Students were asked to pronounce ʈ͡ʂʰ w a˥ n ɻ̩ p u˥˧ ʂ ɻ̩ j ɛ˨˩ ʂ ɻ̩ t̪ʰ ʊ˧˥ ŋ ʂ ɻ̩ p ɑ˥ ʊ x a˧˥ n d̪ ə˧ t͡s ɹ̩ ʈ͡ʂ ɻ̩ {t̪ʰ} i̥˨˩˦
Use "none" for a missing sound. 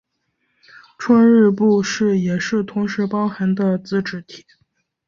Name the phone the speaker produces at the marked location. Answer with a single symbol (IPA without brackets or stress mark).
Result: t̪ʰ